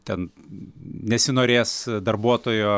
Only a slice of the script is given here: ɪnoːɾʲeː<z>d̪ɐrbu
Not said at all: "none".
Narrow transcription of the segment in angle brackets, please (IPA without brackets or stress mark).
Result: s